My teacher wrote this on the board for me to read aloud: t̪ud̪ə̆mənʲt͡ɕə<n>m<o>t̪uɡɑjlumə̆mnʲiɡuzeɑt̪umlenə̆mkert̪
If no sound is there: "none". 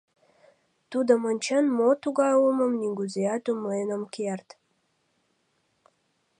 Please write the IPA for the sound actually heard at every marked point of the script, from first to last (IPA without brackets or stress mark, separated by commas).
n, o